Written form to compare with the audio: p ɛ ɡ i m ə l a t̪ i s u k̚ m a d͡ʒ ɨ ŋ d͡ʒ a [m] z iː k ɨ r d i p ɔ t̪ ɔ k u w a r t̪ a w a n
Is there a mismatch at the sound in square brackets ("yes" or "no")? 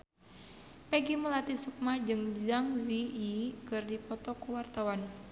yes